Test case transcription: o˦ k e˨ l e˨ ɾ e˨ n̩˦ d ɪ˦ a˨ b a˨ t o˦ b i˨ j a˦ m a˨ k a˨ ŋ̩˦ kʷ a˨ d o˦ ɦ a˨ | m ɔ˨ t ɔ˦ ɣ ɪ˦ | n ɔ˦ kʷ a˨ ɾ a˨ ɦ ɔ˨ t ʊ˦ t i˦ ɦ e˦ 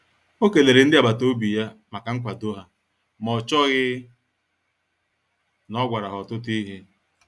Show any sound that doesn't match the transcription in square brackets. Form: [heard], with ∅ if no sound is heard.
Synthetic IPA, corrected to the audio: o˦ k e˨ l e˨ ɾ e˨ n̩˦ d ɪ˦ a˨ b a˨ t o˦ b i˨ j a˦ m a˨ k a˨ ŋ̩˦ kʷ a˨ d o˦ ɦ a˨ | m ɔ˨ [t͡ʃ] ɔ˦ ɣ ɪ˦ | n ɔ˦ [ɡʷ] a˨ ɾ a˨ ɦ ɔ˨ t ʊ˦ t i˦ ɦ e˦

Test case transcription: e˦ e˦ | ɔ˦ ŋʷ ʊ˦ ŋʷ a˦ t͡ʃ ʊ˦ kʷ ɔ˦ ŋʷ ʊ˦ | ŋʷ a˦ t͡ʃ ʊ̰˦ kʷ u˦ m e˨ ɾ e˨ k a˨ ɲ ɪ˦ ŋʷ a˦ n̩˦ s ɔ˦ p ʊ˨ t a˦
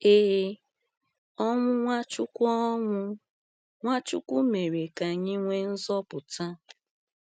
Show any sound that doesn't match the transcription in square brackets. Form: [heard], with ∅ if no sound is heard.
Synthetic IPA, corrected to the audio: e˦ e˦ | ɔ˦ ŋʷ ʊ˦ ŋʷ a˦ t͡ʃ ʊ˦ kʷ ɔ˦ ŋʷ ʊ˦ | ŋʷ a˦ t͡ʃ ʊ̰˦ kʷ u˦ m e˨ ɾ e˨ k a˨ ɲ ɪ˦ ŋʷ [e˦] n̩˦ [z] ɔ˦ p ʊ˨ t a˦

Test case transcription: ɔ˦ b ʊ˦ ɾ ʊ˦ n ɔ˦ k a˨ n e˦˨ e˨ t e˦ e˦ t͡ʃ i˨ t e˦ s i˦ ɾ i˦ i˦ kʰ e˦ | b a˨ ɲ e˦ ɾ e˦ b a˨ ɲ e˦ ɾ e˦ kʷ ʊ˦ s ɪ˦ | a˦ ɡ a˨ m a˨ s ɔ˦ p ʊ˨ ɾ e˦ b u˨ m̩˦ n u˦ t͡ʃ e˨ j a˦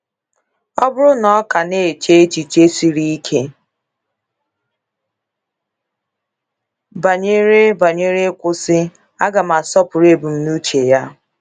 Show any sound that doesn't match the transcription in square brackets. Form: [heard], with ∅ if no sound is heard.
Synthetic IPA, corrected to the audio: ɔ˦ b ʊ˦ ɾ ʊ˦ n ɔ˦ k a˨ n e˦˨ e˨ [t͡ʃ] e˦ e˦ t͡ʃ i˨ [t͡ʃ] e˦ s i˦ ɾ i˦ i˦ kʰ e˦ | b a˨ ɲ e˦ ɾ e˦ b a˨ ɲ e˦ ɾ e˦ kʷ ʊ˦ s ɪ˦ | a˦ ɡ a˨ m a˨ s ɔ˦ p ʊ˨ ɾ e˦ b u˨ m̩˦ n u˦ t͡ʃ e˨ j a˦

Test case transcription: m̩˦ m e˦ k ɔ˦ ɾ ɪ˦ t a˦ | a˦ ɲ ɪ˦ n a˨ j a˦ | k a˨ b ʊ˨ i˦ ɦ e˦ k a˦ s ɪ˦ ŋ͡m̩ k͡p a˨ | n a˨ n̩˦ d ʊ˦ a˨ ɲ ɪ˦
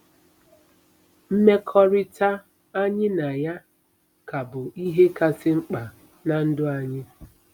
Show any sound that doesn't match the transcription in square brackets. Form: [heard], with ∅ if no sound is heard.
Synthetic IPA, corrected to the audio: m̩˦ m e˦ [kʰ] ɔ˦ ɾ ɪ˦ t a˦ | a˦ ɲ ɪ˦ n a˨ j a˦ | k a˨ b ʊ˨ i˦ ɦ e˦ k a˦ s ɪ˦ ŋ͡m̩ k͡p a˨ | n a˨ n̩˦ d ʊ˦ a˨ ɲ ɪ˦

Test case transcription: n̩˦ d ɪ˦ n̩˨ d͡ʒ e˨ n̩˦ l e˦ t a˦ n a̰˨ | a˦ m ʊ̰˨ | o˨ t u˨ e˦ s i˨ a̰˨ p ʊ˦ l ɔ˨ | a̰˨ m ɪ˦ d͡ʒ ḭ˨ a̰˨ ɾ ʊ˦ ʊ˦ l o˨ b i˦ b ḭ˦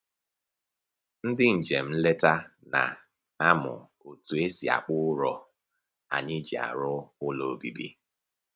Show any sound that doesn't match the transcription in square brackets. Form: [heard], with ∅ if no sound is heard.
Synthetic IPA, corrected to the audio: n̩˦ d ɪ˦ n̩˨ d͡ʒ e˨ [m̩˦] l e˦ t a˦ n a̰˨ | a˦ m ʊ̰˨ | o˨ t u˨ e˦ s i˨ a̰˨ [k͡p] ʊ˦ [ɾ] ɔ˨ | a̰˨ [ɲ] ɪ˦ d͡ʒ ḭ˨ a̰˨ ɾ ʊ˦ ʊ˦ l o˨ b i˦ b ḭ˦

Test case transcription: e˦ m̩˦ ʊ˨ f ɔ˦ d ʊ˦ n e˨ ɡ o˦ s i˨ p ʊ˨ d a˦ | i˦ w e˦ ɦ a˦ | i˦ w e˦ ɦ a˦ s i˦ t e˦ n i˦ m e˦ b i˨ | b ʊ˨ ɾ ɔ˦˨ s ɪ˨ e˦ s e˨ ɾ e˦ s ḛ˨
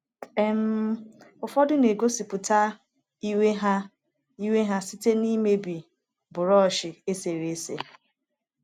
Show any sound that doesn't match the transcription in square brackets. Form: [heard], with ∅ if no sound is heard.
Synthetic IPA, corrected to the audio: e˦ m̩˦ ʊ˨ f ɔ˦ d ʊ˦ n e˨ ɡ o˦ s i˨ p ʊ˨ [t] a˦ | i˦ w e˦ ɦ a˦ | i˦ w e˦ ɦ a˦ s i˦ t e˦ n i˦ m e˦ b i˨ | b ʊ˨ ɾ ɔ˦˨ [ʃ] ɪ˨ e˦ s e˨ ɾ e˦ s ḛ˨

